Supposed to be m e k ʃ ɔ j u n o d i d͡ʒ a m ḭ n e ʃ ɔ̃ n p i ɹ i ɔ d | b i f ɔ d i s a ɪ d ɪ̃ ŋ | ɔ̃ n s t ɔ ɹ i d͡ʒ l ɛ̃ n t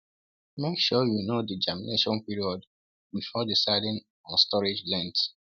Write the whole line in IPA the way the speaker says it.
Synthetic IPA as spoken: m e k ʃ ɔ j u n o d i d͡ʒ a m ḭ n e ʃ ɔ̃ n p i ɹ i ɔ d | b i f ɔ d i s a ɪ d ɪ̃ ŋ | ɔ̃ n s t ɔ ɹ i d͡ʒ l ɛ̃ n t